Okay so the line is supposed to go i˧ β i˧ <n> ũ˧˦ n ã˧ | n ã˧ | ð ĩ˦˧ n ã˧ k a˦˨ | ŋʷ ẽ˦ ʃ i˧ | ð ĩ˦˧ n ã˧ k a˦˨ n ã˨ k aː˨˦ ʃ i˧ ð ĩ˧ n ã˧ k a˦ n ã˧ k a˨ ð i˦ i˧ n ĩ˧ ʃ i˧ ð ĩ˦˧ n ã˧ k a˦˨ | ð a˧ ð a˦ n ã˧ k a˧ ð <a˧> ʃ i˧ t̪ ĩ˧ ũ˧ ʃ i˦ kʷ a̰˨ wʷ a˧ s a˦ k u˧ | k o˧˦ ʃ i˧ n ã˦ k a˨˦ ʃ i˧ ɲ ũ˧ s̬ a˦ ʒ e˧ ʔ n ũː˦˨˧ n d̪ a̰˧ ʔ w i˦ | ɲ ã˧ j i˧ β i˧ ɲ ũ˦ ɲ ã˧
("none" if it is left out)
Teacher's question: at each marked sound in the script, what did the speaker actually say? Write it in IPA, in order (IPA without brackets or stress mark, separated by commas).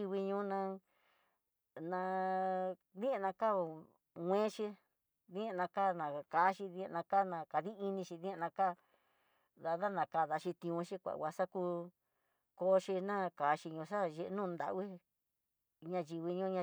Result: ɲ, a˧